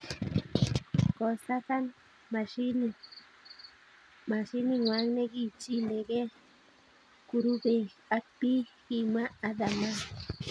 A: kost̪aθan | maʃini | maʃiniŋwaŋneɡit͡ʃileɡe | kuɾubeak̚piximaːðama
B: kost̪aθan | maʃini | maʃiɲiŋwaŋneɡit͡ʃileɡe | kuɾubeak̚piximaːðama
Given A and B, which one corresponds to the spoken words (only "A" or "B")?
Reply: A